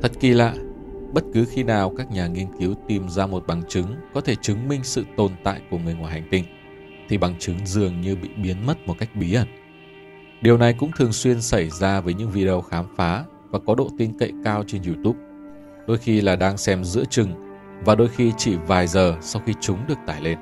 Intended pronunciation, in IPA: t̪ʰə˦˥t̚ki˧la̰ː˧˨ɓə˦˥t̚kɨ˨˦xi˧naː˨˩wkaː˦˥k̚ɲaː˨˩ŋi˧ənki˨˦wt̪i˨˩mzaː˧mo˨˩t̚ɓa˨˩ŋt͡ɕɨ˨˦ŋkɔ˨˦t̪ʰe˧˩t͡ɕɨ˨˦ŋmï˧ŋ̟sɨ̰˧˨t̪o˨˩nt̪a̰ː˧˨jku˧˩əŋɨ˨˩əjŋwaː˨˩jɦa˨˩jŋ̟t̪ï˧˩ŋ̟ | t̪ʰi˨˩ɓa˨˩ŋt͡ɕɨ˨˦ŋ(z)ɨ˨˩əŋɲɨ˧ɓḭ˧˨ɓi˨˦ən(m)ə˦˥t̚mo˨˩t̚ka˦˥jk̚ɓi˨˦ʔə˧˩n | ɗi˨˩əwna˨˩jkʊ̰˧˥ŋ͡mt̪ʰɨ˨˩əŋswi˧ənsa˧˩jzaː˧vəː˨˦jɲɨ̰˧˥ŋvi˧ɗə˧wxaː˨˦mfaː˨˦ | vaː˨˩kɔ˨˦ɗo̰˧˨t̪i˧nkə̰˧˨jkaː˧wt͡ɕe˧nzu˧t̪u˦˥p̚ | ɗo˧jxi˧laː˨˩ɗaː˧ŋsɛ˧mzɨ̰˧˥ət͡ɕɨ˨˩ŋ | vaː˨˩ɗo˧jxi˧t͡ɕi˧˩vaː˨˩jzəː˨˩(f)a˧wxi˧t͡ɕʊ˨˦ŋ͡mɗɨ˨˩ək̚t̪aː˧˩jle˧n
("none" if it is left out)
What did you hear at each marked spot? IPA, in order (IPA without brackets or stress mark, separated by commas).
z, m, s